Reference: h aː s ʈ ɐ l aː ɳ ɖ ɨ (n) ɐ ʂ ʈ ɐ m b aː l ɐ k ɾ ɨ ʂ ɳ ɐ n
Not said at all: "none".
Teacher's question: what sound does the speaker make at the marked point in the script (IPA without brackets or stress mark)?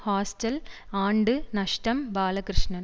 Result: n